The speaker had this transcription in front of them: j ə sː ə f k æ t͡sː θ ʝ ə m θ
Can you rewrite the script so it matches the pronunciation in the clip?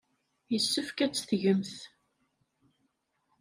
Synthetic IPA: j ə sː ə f k æ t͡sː θ ʝ ə m θ